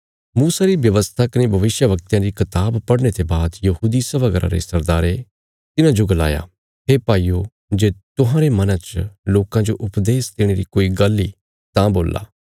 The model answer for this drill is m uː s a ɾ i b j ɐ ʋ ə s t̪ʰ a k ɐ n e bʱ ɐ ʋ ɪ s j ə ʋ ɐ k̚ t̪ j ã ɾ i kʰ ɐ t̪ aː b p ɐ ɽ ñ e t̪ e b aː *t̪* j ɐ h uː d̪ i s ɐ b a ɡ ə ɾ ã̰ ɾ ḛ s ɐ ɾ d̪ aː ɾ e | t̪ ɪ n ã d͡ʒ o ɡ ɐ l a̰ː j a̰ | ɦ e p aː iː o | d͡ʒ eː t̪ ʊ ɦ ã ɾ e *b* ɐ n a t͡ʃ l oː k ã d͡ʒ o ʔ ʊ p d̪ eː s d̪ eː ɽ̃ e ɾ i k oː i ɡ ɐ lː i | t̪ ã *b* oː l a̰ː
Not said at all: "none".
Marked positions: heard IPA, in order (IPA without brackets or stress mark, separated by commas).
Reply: d̪, m, b